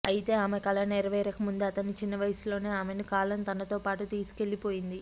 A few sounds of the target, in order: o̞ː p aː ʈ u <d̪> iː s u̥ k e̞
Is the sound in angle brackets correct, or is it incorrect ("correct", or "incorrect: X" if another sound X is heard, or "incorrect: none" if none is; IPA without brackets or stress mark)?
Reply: incorrect: t̪